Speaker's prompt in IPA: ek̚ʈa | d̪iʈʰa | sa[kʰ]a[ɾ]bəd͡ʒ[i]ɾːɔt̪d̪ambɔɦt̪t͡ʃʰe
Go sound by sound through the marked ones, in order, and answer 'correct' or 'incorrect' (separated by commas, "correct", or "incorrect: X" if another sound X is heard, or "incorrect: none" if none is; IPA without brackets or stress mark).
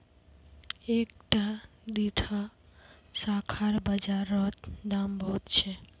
correct, correct, incorrect: a